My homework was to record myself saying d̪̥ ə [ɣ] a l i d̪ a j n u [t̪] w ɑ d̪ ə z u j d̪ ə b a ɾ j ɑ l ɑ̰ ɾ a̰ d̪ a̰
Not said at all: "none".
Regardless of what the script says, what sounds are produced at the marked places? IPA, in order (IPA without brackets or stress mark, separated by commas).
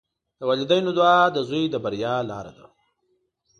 w, d̪